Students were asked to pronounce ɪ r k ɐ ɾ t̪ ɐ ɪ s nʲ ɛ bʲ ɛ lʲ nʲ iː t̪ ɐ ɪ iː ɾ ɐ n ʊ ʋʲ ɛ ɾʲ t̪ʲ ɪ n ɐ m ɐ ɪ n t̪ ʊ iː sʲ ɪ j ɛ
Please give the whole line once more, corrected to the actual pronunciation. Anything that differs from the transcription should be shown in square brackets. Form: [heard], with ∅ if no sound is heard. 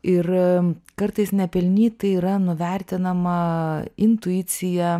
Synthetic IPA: ɪ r k ɐ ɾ t̪ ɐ ɪ s nʲ ɛ [pʲ] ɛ lʲ nʲ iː t̪ ɐ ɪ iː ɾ ɐ n ʊ ʋʲ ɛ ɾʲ t̪ʲ ɪ n ɐ m ɐ ɪ n t̪ ʊ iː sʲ ɪ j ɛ